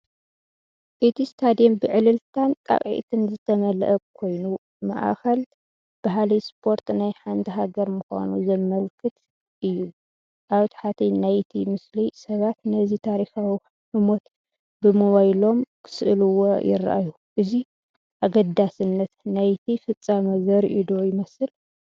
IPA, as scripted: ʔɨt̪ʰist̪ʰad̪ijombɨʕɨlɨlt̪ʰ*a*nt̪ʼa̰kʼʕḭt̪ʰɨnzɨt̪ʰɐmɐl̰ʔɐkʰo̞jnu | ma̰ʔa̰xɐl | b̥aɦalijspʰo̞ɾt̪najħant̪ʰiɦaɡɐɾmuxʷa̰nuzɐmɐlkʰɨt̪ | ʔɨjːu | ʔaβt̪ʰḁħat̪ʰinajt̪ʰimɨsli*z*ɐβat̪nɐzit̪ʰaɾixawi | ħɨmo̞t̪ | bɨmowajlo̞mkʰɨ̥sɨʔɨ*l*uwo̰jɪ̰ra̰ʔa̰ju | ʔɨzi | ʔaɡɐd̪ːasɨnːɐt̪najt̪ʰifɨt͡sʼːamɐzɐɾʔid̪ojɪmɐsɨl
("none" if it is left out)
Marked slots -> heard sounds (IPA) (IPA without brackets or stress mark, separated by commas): a, s, l